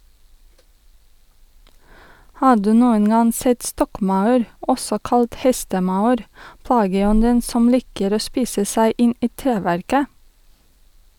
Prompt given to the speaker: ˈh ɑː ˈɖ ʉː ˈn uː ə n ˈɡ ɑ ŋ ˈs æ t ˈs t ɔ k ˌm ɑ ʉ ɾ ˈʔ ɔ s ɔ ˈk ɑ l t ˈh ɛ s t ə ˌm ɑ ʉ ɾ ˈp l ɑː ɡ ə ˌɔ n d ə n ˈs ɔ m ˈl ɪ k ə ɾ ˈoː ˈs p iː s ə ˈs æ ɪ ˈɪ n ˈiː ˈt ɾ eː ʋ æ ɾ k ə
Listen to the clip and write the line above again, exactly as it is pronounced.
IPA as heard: ˈh ɑː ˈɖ ʉː ˈn uː ə n ˈɡ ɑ ŋ ˈs ɛ t ˈs t ɔ k ˌm ɑ ʉ ɾ ˈʔ ɔ s ɔ ˈk ɑ l t ˈh ɛ s t ə ˌm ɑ ʉ ɾ ˈp l ɑː ɡ ə ˌɔ n d ə n ˈs ɔ m ˈl ɪ k ə ɾ ˈoː ˈs p iː s ə ˈs æ ɪ ˈɪ n ˈiː ˈt ɾ eː ʋ æ ɾ k ə